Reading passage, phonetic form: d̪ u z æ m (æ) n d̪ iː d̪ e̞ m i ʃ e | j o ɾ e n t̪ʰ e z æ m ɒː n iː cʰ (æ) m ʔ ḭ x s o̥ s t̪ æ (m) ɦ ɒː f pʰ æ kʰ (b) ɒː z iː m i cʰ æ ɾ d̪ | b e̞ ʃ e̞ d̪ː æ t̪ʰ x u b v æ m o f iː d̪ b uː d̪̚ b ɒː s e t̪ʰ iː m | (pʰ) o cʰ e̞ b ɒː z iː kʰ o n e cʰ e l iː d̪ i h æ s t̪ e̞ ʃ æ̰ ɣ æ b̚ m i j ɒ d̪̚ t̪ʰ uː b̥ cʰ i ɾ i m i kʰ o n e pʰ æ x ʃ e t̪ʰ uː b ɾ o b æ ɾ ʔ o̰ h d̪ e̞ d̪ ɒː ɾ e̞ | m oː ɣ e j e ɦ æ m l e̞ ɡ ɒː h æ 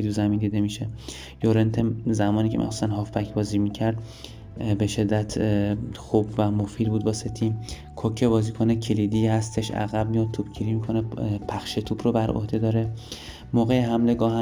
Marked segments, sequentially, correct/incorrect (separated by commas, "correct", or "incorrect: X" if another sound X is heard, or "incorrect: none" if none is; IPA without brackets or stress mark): incorrect: i, incorrect: e, incorrect: n, correct, incorrect: kʰ